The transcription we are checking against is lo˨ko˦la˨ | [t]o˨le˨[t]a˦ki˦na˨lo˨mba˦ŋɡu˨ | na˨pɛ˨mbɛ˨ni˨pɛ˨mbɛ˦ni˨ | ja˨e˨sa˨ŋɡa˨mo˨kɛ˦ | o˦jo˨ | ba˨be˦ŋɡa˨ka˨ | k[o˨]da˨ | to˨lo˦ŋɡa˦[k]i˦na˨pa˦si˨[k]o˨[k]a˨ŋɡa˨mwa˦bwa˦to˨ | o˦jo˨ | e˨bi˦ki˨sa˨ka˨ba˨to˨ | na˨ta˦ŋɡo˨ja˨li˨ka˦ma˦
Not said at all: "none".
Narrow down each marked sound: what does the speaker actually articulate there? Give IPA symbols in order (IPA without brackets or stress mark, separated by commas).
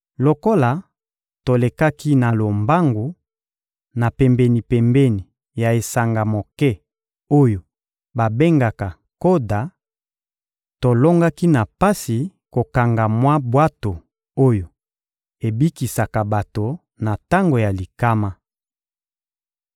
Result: t, k, o˦, k, k, k